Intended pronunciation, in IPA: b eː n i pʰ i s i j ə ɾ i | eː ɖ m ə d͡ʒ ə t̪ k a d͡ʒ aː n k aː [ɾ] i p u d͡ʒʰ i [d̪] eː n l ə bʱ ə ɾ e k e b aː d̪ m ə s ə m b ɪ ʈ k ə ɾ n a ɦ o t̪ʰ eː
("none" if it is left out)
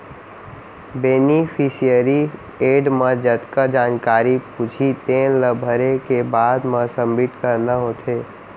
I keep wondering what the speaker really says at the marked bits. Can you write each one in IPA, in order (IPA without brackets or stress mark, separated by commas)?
ɾ, t̪